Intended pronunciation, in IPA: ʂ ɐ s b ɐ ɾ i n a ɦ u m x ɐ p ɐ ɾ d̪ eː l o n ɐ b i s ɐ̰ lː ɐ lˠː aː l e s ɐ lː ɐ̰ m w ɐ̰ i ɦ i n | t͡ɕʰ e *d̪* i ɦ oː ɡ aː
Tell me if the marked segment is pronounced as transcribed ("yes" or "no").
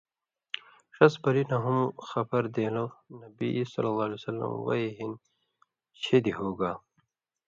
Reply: yes